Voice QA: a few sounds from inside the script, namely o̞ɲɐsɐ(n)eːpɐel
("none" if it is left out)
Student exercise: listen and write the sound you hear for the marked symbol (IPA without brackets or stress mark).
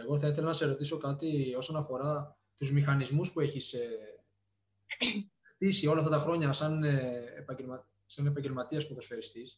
n